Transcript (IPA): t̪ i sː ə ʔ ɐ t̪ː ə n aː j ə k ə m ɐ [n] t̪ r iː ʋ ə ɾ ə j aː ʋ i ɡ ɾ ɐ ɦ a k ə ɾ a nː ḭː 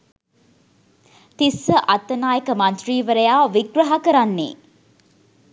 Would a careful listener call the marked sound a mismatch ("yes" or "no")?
no